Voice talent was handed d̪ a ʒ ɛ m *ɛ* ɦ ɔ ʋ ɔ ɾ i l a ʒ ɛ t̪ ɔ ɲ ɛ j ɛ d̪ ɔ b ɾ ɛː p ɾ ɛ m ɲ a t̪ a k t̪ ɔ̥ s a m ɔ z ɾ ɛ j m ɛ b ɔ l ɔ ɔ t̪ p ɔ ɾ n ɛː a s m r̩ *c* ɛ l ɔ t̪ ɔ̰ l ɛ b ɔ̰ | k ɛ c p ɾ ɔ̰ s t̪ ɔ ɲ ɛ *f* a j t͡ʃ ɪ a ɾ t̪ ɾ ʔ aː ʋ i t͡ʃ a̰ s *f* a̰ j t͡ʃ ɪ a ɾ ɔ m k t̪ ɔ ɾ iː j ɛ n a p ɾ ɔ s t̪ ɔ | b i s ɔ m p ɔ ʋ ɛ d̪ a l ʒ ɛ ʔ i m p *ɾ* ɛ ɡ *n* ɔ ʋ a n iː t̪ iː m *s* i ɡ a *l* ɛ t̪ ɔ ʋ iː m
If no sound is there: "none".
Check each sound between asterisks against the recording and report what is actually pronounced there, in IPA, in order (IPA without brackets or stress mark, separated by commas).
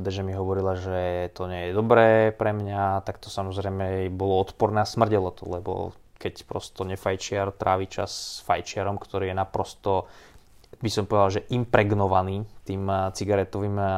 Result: i, ɟ, f, f, ɾ, n, t͡s, ɾ